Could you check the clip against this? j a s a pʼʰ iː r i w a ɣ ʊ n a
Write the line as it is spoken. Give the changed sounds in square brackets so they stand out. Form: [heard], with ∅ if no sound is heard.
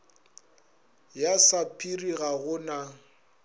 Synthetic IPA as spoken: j a s a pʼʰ [i] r i [ɣ] a ɣ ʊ n a